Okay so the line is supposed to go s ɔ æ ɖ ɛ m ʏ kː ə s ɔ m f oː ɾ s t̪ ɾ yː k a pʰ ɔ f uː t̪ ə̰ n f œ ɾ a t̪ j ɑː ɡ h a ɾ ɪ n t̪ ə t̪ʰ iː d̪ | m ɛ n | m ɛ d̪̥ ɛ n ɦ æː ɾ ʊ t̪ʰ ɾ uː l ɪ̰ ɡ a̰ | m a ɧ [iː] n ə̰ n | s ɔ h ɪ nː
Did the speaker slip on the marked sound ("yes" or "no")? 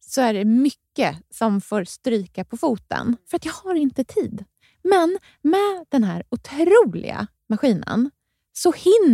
no